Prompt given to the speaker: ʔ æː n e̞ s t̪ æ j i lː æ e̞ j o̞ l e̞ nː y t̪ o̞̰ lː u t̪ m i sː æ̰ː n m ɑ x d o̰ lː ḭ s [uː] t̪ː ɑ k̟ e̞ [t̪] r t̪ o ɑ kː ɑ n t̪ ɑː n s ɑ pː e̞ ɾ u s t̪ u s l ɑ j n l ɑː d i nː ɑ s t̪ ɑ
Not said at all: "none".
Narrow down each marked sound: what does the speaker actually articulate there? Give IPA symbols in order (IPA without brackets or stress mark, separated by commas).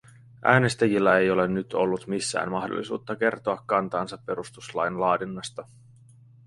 uː, none